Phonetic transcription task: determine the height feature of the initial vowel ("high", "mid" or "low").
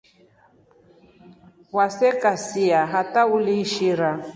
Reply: low